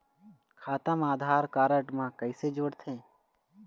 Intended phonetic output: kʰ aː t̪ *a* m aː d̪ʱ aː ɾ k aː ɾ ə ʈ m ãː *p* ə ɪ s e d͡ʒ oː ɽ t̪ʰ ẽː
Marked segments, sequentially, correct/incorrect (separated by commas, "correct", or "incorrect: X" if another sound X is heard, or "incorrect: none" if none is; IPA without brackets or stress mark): incorrect: ə, incorrect: k